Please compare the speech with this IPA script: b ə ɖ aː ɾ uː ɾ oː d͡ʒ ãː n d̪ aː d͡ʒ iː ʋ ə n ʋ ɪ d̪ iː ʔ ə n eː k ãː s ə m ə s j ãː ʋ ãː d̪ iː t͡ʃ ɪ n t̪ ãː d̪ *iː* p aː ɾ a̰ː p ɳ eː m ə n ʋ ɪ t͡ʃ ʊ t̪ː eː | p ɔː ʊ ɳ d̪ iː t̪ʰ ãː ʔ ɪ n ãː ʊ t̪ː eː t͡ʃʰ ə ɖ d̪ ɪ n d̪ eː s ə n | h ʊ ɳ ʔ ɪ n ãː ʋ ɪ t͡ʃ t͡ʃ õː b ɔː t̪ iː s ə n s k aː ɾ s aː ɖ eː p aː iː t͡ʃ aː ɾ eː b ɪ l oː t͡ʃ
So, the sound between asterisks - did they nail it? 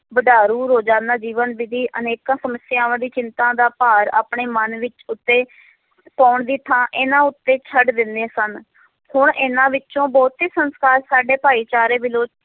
no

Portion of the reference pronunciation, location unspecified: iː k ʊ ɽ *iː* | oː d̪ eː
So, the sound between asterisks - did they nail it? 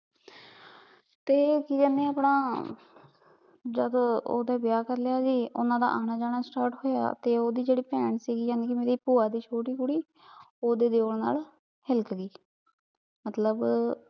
yes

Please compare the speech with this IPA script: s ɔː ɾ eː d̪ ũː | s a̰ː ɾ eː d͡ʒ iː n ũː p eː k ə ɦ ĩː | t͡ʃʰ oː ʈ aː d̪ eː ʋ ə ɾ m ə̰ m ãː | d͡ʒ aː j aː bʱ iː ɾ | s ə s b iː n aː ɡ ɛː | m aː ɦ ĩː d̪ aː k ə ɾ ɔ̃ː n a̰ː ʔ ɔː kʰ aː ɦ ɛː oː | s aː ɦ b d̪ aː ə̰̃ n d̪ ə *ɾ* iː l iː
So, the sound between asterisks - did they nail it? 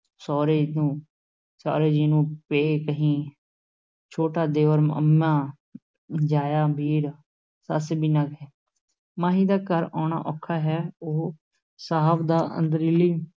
yes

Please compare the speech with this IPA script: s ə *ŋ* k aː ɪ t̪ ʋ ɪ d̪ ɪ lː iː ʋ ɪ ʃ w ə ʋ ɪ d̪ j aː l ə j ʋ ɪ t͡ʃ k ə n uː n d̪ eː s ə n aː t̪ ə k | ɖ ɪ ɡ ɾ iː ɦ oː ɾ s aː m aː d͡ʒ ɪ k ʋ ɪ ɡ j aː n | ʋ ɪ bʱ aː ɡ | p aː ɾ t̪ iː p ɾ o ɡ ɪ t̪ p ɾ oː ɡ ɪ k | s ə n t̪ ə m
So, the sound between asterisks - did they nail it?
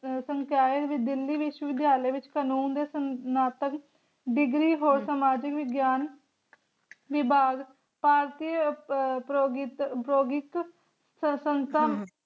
yes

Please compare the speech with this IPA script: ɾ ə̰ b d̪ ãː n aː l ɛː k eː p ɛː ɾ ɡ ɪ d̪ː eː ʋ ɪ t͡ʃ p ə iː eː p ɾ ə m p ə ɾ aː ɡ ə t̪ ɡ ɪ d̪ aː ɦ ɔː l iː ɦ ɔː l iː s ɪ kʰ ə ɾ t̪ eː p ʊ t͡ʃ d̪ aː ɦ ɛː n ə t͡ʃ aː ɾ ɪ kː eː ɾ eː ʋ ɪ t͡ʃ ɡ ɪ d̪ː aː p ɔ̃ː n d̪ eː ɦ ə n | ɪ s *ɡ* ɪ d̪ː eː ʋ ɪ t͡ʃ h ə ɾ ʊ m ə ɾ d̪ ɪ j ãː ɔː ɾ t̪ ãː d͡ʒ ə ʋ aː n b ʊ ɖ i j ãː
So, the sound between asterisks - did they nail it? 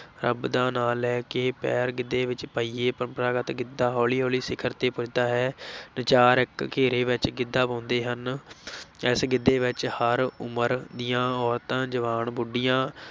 yes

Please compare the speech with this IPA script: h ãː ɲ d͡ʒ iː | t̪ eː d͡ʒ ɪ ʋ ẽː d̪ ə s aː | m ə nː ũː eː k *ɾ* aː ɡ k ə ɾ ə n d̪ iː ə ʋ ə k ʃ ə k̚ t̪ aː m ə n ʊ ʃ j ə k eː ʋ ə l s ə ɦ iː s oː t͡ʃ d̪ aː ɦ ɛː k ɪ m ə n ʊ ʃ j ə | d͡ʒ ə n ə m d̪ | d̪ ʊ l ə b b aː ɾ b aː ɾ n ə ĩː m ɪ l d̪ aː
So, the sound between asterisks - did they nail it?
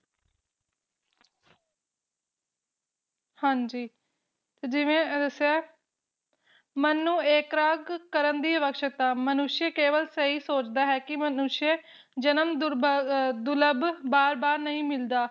yes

